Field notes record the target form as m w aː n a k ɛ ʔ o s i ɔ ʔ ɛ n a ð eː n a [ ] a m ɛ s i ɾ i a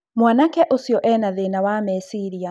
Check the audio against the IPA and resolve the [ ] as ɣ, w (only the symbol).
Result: w